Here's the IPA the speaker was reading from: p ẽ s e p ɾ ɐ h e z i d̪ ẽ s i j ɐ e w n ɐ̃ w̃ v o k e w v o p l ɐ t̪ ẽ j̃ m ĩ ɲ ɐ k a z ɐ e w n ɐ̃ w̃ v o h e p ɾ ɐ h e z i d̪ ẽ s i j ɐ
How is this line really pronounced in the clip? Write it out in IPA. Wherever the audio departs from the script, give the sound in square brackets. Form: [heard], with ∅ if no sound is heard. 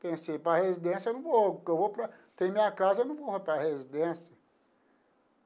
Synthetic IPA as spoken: p ẽ s e p ɾ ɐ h e z i d̪ ẽ s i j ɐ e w n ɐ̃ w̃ v o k e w v o p [ɾ] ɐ t̪ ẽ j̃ m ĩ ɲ ɐ k a z ɐ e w n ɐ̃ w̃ v o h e p ɾ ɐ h e z i d̪ ẽ s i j ɐ